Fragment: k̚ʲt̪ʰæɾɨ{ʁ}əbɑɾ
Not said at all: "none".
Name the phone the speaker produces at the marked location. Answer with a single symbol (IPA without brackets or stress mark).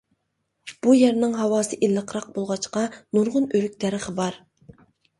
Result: χ